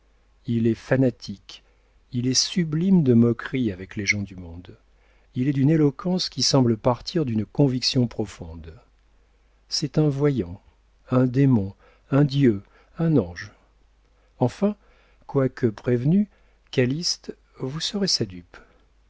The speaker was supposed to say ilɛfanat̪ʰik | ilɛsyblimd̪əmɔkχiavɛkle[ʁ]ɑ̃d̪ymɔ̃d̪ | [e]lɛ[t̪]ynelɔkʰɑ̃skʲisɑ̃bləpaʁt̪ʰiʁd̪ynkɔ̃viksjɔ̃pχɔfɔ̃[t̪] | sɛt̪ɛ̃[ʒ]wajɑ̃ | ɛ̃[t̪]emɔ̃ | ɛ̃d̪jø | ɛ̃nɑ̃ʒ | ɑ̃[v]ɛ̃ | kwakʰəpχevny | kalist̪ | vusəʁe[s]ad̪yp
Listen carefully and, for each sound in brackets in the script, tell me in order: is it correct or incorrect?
incorrect: ʒ, incorrect: i, incorrect: d̪, incorrect: d̪, incorrect: v, incorrect: d̪, incorrect: f, correct

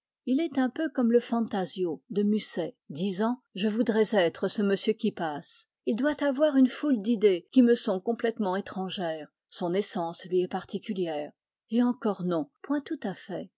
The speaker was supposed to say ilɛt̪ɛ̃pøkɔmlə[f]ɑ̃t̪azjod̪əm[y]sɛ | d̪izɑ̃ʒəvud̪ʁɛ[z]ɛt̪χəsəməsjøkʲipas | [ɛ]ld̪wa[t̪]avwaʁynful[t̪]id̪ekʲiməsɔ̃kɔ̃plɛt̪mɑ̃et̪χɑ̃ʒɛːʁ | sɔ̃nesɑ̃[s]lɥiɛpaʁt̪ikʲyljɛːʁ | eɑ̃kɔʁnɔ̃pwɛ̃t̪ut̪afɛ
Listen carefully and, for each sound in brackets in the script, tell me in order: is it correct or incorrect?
correct, correct, correct, incorrect: i, correct, incorrect: d̪, correct

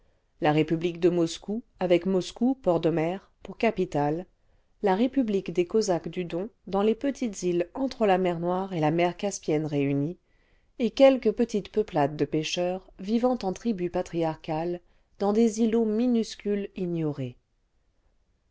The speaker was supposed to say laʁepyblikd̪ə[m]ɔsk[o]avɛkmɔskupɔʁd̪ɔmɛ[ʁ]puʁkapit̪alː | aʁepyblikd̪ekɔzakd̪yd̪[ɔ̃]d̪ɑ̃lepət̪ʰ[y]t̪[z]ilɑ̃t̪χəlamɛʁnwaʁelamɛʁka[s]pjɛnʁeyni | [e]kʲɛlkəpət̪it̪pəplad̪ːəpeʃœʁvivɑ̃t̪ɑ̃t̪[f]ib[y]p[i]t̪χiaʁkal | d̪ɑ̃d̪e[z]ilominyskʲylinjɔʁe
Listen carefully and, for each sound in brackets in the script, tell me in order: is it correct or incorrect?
correct, incorrect: u, correct, correct, incorrect: i, correct, correct, correct, incorrect: χ, correct, incorrect: a, correct

